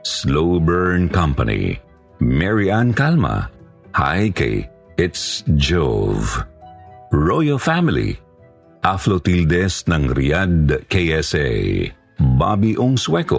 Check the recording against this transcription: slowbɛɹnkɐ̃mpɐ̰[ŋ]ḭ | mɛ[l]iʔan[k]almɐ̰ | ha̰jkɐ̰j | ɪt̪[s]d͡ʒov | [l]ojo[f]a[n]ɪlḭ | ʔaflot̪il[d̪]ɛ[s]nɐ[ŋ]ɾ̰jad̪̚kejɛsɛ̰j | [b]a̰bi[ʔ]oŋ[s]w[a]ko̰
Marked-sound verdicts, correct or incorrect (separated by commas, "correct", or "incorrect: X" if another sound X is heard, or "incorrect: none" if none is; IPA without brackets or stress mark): incorrect: n, incorrect: ɹ, correct, correct, incorrect: ɹ, correct, incorrect: m, correct, correct, correct, correct, correct, correct, incorrect: ɛ